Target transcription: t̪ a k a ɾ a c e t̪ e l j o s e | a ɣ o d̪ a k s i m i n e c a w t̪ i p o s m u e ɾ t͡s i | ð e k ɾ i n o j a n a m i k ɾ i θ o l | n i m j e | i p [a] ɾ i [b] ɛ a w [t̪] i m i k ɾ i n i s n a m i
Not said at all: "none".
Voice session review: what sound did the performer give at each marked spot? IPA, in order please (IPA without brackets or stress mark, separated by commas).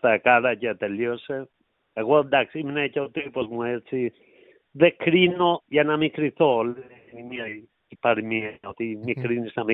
a, m, t̪